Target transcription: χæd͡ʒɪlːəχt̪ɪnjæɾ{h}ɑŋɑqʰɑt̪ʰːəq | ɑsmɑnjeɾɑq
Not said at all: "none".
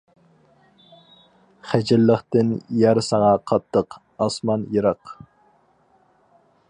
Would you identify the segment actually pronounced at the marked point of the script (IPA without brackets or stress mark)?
s